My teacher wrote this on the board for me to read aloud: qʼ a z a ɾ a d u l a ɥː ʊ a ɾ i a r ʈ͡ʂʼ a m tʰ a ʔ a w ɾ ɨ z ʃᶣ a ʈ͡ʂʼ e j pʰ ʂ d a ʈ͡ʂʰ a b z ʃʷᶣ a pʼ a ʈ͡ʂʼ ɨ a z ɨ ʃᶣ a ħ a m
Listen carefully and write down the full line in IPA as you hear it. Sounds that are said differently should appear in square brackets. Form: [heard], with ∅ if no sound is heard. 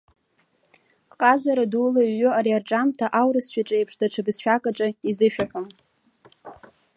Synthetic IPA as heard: qʼ a z a ɾ a d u l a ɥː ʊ a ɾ i a r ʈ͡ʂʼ a m tʰ a ʔ a w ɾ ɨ [s] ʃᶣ a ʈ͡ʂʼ e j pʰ ʂ d a ʈ͡ʂʰ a b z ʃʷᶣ a [kʼ] a ʈ͡ʂʼ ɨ [i] z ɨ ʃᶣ a ħ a m

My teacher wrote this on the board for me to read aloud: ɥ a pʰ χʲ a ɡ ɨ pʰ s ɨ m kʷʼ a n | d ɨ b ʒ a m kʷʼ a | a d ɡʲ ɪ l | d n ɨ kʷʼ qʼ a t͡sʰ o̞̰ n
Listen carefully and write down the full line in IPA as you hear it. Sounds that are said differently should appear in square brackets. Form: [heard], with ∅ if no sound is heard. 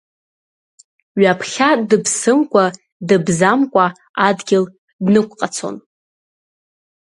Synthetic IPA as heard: ɥ a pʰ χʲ a [d] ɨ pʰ s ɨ m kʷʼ a [∅] | d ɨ b [z] a m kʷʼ a | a d ɡʲ ɪ l | d n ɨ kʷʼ qʼ a t͡sʰ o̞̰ n

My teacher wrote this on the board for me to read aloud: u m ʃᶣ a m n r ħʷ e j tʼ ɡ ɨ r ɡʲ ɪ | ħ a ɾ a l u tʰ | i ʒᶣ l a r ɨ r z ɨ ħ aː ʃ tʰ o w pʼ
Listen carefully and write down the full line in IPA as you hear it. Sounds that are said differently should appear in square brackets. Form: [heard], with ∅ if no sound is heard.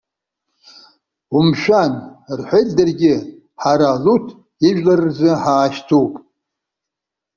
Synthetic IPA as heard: u m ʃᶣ a [∅] n r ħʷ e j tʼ [d] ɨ r ɡʲ ɪ | ħ a ɾ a l u tʰ | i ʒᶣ l a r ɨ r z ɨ ħ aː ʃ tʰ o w pʼ

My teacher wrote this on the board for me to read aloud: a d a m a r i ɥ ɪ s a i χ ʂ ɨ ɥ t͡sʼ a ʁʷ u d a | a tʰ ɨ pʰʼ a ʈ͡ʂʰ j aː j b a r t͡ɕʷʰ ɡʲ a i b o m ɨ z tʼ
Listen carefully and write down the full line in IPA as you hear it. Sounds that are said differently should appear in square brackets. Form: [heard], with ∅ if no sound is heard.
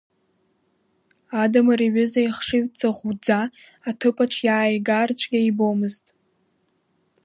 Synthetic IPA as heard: a d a m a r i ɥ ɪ [z] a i χ ʂ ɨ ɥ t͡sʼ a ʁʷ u [d͡z] a | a tʰ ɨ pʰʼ a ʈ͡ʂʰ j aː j [ɡ] a r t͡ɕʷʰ ɡʲ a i b o m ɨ z tʼ

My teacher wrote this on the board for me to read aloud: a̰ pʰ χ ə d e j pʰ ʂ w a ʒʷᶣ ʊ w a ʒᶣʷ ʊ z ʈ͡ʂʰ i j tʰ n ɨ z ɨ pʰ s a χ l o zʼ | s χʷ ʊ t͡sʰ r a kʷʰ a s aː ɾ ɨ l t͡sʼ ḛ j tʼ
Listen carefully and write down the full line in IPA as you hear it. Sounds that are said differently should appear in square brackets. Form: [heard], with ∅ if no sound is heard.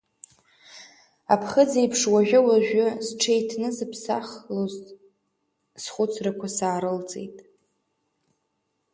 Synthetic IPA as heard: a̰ pʰ χ ə [d͡z] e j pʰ ʂ w a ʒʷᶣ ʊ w a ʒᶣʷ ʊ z ʈ͡ʂʰ [e] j tʰ n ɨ z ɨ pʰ s a χ l o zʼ | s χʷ ʊ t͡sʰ r a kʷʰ a s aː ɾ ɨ l t͡sʼ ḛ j tʼ

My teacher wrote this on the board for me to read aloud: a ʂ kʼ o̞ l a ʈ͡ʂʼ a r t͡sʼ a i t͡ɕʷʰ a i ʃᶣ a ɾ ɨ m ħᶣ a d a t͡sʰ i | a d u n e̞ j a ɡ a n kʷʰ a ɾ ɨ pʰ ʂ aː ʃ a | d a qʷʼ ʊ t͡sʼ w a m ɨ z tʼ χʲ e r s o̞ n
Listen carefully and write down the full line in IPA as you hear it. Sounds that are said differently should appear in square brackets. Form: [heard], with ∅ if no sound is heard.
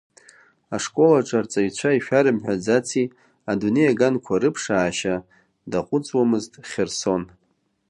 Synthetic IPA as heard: a ʂ kʼ o̞ l a ʈ͡ʂʼ a r t͡sʼ a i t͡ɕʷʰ a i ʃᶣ a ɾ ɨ m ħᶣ a [d͡z] a t͡sʰ i | a d u n e̞ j a ɡ a n kʷʰ a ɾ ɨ pʰ ʂ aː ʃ a | d a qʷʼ ʊ t͡sʼ w a m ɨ z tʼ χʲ e r s o̞ n

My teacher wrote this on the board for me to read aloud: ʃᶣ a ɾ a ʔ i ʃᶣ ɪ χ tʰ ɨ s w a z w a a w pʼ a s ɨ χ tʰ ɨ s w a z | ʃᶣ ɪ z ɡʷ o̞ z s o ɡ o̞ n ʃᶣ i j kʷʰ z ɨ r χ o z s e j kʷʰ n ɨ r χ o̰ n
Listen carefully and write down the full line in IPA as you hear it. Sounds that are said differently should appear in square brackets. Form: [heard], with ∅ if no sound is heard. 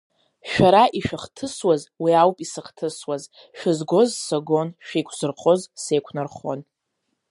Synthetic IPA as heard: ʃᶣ a ɾ a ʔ i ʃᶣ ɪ χ tʰ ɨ s w a z w [i] a w pʼ [i] s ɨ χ tʰ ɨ s w a z | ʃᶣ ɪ z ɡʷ o̞ z s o ɡ o̞ n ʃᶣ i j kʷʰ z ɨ r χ o z s e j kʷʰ n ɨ r χ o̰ n

